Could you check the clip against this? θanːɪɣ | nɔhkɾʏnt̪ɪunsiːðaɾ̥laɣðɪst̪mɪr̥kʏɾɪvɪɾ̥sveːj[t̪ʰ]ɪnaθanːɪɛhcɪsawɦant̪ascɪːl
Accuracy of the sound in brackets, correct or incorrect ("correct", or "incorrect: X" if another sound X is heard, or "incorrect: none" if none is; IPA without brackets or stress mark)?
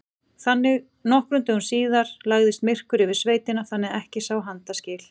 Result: incorrect: t̪